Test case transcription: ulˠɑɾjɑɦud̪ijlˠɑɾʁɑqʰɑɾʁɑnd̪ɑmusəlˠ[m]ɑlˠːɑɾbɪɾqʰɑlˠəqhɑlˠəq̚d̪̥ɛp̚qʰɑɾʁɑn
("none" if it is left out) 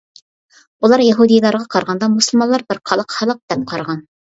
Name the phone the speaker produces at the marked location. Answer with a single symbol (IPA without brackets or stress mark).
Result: m